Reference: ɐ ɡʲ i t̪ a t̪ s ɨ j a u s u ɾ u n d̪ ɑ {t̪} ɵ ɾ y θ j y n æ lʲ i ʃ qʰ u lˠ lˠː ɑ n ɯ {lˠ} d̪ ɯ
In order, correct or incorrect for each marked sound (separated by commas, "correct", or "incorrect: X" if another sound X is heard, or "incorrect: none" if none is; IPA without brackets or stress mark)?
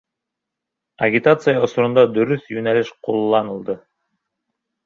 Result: incorrect: d̪, correct